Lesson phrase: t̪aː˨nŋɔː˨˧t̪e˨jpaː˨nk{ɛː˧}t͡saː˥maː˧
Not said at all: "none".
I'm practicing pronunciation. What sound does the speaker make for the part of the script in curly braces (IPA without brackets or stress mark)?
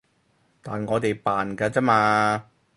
aː˧